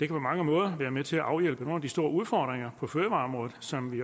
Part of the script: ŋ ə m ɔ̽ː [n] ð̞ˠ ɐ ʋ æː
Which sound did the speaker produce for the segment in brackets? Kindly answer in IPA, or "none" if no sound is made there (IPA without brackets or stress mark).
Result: none